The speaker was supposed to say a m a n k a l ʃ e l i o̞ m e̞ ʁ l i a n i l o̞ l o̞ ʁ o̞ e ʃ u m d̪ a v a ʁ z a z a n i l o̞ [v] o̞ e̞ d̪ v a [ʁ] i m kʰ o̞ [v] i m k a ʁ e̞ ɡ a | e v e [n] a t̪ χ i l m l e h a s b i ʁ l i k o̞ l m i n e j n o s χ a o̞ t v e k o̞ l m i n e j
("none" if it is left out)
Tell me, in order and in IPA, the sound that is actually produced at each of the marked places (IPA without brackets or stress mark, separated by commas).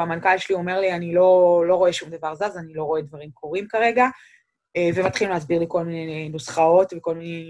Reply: ʁ, ʁ, ʁ, m